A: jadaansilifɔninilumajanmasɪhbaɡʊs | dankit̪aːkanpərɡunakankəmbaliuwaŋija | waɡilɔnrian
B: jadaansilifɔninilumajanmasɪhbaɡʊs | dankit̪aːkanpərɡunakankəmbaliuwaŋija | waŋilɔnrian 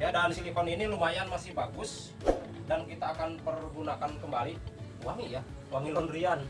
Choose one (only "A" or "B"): B